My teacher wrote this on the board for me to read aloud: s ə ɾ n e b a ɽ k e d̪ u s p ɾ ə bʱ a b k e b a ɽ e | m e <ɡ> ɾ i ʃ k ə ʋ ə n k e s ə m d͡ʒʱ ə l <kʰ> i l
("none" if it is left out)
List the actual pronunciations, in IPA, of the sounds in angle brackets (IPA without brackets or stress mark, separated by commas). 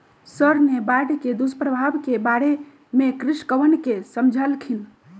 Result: k, kʰ